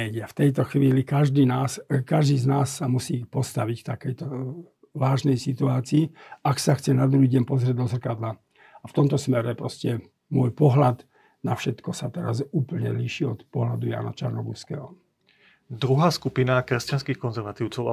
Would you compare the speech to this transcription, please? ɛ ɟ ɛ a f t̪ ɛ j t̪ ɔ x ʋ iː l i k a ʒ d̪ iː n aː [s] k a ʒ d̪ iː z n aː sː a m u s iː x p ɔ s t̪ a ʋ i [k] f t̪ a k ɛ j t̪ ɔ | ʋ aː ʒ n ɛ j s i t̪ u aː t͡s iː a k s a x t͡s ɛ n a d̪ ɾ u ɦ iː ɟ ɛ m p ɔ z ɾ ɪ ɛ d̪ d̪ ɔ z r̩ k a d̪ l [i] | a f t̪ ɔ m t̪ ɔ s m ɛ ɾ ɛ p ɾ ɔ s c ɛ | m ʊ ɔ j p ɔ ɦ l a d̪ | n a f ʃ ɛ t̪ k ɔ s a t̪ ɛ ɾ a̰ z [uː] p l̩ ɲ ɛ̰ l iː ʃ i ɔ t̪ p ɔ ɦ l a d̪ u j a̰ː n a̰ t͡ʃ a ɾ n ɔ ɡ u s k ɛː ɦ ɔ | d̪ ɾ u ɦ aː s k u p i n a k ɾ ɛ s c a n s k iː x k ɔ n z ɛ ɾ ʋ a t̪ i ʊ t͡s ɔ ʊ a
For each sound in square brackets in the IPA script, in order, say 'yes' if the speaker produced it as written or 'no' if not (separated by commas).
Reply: yes, no, no, yes